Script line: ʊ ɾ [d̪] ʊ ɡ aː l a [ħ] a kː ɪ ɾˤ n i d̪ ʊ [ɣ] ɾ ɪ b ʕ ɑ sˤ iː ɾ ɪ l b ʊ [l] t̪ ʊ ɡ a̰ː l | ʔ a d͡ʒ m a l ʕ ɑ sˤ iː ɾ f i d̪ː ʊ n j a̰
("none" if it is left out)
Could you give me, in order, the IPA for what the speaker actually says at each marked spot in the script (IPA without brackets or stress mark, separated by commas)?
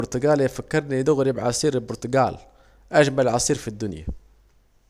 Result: t̪, f, ɣ, ɾ